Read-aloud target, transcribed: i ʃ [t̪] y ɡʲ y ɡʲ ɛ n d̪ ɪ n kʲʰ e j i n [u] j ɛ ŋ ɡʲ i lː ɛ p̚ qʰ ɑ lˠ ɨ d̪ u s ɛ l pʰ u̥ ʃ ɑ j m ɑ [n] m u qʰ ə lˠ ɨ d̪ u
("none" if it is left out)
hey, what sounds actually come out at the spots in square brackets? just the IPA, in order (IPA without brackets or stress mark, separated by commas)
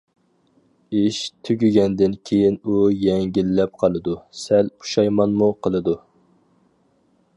t̪ʰ, u, n